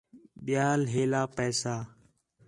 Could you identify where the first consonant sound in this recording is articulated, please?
labial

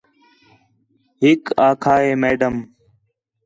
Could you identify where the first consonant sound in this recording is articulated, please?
glottal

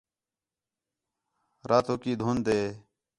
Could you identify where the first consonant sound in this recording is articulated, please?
alveolar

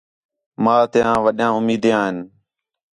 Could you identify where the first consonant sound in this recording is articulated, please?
labial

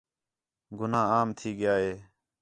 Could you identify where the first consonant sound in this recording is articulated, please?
velar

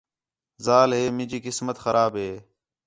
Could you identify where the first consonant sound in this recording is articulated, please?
alveolar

